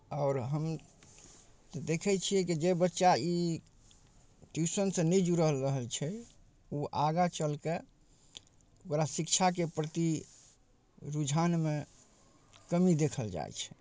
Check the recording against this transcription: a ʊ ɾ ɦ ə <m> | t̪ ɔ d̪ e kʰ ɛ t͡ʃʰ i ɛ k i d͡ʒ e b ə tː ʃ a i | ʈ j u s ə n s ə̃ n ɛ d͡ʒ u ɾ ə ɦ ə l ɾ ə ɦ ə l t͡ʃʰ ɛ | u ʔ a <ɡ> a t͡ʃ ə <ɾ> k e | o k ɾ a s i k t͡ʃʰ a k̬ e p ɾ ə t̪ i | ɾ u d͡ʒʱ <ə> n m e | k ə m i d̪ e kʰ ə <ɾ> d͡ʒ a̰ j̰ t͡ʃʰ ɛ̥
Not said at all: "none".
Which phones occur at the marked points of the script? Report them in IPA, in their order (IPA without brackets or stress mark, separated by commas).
m, ɡ, l, a, l